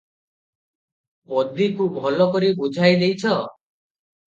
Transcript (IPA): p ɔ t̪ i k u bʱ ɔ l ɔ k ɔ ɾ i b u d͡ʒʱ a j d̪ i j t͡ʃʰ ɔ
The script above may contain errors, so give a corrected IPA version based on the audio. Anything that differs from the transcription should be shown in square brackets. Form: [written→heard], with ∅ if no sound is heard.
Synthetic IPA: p ɔ [t̪→d̪] i k u bʱ ɔ l ɔ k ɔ ɾ i b u d͡ʒʱ a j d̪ [i→e] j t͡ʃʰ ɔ